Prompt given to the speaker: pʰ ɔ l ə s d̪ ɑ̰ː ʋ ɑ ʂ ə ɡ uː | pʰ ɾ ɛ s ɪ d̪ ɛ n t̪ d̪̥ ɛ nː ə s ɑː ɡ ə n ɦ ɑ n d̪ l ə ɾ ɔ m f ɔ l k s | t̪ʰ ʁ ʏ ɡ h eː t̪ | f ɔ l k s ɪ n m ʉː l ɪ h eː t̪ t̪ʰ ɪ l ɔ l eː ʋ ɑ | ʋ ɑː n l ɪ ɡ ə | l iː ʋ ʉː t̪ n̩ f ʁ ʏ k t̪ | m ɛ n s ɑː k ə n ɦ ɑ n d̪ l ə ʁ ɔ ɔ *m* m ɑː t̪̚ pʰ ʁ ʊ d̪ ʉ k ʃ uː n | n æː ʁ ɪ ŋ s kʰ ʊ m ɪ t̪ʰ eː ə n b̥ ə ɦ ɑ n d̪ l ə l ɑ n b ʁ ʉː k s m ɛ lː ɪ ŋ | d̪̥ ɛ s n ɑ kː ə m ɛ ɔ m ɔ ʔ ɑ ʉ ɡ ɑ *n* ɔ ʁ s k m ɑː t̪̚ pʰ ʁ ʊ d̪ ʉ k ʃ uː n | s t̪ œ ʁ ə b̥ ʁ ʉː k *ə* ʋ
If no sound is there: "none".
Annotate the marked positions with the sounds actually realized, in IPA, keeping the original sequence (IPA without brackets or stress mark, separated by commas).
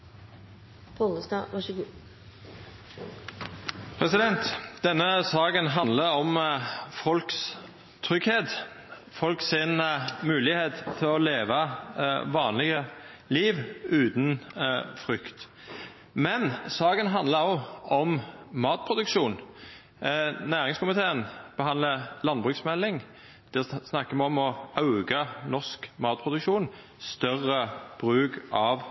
m, n, ɑ